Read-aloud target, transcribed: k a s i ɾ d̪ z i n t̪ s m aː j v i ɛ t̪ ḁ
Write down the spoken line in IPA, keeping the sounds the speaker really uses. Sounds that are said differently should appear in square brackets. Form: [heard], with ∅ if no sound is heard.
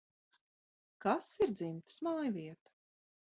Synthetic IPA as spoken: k a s i ɾ d̪ z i [m] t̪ s m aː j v i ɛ t̪ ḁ